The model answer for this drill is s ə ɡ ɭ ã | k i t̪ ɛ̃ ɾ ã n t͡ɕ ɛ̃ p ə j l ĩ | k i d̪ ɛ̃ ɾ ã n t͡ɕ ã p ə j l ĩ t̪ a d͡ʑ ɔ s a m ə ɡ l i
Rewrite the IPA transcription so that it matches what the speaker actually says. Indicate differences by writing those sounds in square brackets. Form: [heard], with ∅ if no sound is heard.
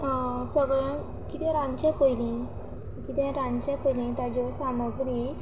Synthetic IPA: s ə ɡ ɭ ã | k i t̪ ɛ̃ ɾ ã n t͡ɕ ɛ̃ p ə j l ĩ | k i [t̪] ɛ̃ ɾ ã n t͡ɕ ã p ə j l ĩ t̪ a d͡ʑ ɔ s a m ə ɡ [ɾ] i